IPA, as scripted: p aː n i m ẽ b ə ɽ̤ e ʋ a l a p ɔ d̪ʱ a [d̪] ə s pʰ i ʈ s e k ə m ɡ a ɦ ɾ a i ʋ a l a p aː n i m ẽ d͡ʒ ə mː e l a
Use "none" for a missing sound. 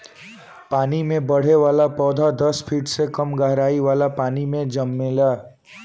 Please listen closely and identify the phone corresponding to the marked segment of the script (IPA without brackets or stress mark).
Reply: d̪